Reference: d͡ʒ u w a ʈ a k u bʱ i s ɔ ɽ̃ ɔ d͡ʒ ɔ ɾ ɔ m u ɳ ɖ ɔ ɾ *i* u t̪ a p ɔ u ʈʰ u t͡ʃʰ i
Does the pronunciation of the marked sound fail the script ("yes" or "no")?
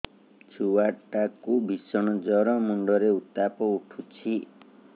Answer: yes